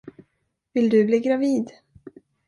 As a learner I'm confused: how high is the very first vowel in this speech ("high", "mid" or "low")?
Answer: high